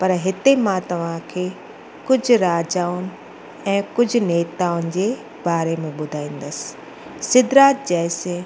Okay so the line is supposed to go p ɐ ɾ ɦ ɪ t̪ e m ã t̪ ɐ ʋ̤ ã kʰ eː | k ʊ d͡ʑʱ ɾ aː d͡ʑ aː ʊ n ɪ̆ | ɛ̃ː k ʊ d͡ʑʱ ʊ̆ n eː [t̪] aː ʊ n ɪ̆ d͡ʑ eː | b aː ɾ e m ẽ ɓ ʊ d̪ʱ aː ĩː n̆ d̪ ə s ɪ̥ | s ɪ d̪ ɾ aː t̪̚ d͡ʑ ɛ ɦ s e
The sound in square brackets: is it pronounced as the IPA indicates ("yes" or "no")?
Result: yes